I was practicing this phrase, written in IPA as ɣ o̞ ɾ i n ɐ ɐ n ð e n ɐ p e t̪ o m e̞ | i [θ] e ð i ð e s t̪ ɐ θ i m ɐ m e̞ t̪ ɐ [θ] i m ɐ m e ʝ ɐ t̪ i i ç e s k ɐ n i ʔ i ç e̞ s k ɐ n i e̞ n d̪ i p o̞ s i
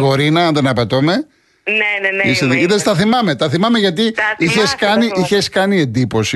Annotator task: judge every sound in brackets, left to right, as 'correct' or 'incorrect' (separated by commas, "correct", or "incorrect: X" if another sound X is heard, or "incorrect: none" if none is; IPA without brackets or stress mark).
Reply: incorrect: s, correct